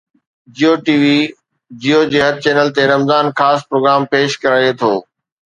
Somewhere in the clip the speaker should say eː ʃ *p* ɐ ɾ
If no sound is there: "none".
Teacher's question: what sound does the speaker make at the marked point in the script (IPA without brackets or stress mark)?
k